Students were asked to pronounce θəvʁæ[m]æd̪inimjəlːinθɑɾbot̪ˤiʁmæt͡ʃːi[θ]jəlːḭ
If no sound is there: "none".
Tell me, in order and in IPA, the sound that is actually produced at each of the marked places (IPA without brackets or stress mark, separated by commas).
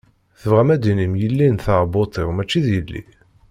m, ð